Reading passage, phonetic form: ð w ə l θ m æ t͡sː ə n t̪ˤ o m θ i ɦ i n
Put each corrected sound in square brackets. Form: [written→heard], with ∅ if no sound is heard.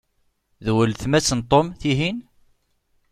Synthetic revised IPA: ð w ə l θ m æ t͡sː ə n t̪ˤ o m θ i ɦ i n